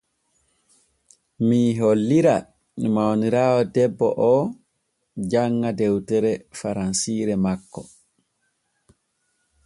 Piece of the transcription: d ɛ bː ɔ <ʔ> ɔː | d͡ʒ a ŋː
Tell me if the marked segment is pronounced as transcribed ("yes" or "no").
yes